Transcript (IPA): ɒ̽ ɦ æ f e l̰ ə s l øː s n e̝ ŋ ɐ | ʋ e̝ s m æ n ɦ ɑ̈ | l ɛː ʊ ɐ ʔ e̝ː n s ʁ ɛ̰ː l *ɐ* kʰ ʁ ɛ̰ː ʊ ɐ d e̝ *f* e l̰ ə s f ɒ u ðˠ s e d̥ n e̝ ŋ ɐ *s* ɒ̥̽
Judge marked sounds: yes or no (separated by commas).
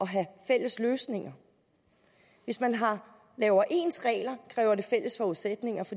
yes, yes, no